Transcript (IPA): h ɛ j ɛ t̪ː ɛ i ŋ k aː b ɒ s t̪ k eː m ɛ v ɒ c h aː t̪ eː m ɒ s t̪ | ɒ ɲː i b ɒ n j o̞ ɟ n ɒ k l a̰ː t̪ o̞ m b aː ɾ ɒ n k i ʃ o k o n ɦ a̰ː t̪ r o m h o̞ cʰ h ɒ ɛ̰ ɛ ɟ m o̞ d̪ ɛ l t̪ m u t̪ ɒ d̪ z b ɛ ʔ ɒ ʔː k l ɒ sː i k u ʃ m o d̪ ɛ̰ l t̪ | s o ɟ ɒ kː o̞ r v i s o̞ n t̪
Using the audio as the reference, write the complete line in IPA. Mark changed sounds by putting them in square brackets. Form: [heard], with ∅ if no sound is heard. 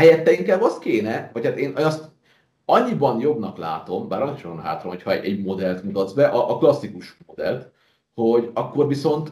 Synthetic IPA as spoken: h ɛ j ɛ t̪ː ɛ i ŋ k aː b ɒ s t̪ k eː [n] ɛ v ɒ c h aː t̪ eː [n] ɒ s t̪ | ɒ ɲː i b ɒ n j o̞ [b] n ɒ k l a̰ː t̪ o̞ m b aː ɾ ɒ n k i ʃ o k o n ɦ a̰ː t̪ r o m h o̞ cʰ h ɒ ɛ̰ ɛ ɟ m o̞ d̪ ɛ l t̪ m u t̪ ɒ d̪ z b ɛ ʔ ɒ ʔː k l ɒ sː i k u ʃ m o d̪ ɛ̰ l t̪ | [h] o ɟ ɒ kː o̞ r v i s o̞ n t̪